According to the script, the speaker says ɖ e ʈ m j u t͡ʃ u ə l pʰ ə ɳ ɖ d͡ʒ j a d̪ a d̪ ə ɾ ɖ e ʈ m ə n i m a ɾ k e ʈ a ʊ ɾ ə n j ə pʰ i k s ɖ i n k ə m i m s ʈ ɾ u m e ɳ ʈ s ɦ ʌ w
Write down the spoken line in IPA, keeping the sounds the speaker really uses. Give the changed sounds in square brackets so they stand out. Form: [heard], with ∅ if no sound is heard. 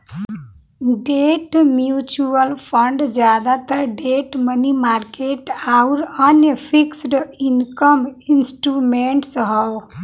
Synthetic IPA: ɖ e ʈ m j u t͡ʃ u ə l pʰ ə ɳ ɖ d͡ʒ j a d̪ a [t̪] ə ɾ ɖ e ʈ m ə n i m a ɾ k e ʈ a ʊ ɾ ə n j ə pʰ i k s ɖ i n k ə m i [n] s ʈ ɾ u m e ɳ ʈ s ɦ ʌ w